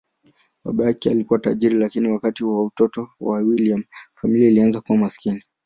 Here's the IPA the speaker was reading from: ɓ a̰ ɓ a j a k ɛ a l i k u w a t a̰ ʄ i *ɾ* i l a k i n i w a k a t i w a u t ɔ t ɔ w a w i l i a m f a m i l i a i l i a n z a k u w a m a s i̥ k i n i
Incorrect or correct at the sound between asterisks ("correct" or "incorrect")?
correct